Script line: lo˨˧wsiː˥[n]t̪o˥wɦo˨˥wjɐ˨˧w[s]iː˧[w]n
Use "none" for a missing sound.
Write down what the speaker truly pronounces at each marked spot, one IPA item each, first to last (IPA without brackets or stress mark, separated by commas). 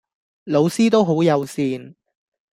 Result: none, s, none